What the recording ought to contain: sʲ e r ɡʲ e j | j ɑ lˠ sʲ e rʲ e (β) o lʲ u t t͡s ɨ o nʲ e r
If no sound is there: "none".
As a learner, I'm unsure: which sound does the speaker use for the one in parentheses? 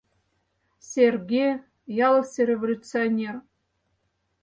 v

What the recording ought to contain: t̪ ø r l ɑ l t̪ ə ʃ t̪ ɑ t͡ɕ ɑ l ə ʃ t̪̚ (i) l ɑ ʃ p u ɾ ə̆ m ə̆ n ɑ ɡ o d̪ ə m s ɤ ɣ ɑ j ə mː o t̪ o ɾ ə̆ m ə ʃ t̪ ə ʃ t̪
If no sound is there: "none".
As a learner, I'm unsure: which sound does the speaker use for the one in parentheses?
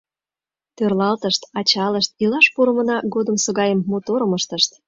i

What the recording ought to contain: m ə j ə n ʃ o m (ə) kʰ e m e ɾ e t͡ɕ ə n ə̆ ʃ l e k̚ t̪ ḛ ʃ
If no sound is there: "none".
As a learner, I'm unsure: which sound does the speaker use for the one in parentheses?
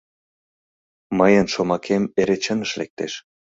ɑ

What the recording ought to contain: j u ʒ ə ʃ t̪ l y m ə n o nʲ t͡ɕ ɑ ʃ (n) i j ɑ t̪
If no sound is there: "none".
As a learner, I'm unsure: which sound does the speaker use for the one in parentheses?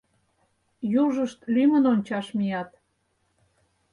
m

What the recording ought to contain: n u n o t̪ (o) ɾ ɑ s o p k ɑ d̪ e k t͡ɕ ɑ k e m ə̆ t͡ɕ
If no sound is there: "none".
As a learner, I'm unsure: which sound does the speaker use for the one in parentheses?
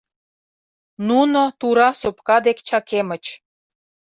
u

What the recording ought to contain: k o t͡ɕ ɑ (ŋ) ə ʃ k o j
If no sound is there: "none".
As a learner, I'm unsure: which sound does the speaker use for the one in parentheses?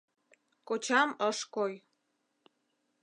m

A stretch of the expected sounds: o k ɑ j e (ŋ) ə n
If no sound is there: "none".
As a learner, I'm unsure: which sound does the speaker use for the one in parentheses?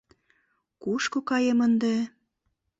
m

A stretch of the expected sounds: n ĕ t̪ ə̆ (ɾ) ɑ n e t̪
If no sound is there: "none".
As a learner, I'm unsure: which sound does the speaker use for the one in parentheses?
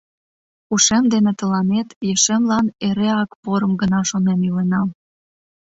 l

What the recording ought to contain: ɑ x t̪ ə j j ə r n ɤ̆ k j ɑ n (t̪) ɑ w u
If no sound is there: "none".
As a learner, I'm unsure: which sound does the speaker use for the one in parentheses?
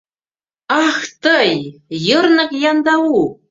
d̪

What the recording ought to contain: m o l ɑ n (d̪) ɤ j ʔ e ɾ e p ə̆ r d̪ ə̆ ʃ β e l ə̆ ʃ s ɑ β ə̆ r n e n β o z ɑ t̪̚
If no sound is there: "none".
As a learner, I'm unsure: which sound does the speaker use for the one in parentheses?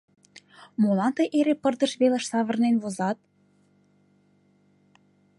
t̪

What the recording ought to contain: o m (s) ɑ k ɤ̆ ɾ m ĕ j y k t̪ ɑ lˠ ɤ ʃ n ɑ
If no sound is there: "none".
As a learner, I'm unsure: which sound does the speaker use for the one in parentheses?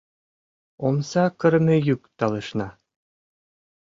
s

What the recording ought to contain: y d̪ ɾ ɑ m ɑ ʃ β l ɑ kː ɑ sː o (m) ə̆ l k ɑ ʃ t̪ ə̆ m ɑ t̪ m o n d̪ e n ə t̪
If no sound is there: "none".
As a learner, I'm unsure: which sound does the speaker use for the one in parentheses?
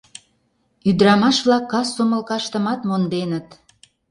m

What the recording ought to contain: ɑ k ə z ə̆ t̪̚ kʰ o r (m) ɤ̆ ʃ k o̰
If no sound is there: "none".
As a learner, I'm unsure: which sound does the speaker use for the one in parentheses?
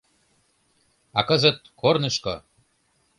n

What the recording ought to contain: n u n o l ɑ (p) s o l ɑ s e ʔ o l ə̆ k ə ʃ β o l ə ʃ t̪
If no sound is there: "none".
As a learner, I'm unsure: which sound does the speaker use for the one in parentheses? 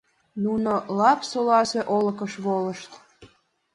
p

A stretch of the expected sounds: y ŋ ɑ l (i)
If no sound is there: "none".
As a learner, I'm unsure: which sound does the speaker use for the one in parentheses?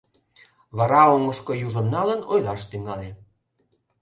e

